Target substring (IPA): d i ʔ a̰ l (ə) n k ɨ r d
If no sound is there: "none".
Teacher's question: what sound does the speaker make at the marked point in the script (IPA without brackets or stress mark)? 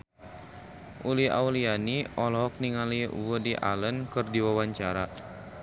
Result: ə